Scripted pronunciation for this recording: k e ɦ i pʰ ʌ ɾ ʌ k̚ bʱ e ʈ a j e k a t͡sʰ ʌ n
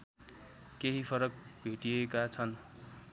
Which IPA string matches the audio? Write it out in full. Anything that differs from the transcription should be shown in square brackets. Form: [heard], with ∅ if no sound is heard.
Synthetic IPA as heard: k e ɦ i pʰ ʌ ɾ ʌ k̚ bʱ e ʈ [i] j e k a t͡sʰ ʌ n

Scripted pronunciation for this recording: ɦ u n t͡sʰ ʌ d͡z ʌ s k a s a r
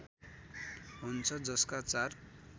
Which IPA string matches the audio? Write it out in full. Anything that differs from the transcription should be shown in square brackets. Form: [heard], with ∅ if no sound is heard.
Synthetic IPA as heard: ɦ u n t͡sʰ ʌ d͡z ʌ s k a [t͡s] a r

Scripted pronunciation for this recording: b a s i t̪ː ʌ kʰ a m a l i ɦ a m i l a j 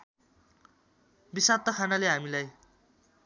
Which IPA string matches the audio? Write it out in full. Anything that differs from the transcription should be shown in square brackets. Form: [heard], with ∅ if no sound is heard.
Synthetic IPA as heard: b [i] s [a] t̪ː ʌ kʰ a [n] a l [e] ɦ a m i l a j

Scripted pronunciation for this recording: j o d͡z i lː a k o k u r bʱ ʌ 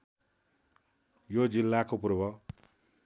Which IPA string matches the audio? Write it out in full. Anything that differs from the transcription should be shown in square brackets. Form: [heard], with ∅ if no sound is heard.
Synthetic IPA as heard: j o d͡z i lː a k o [p] u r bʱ ʌ

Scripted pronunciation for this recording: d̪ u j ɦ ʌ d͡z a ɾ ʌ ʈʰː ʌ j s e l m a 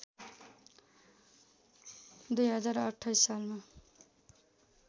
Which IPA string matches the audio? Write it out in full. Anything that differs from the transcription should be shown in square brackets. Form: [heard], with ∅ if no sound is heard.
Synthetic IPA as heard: d̪ u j ɦ ʌ d͡z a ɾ ʌ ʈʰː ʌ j s [a] l m a

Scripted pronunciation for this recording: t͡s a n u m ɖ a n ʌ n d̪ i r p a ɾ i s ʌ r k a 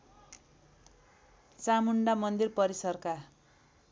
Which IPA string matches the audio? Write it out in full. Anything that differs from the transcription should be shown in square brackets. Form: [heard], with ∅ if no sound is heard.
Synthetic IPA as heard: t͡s a [m] u [ɳ] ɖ a [m] ʌ n d̪ i r p [ʌ] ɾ i s ʌ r k a

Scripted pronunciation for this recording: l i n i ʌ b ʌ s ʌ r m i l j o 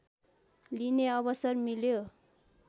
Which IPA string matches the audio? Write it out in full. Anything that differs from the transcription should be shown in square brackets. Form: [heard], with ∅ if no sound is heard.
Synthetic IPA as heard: l i n [e] ʌ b ʌ s ʌ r m i l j o

